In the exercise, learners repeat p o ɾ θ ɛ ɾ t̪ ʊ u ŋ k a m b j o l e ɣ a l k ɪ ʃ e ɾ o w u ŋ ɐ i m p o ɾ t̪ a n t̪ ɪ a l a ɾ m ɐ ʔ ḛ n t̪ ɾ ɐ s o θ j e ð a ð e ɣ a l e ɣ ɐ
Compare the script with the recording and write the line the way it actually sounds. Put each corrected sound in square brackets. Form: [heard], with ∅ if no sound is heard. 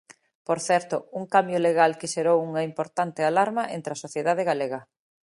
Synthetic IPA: p o ɾ θ ɛ ɾ t̪ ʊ u ŋ k a m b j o l e ɣ a l k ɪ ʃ e ɾ o w u ŋ ɐ i m p o ɾ t̪ a n t̪ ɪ a l a ɾ m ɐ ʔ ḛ n t̪ ɾ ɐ s o θ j e ð a ð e ɣ a l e ɣ ɐ

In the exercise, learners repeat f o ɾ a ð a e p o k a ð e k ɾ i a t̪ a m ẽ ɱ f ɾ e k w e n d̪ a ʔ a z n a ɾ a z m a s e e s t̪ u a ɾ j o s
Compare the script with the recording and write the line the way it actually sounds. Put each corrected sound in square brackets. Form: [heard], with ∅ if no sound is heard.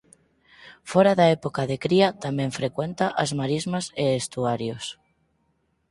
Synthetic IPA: f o ɾ a ð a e p o k a ð e k ɾ i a t̪ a m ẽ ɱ f ɾ e k w e n [t̪] a ʔ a z [m] a ɾ [i] z m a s e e s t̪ u a ɾ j o s

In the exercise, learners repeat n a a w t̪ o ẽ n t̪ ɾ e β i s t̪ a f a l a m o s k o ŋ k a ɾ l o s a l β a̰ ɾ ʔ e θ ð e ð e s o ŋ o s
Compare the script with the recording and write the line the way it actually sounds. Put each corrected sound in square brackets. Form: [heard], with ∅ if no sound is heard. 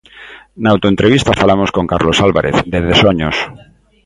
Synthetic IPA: n a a w t̪ o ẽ n t̪ ɾ e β i s t̪ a f a l a m o s k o ŋ k a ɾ l o s a l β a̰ ɾ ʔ e θ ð e ð e s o [ɲ] o s

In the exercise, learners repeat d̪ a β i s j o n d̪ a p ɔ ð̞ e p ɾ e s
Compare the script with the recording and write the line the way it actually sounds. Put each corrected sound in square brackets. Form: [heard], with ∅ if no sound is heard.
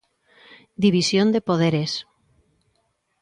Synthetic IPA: d̪ [i] β i s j o n d̪ [e] p [o] ð̞ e [∅] ɾ e s

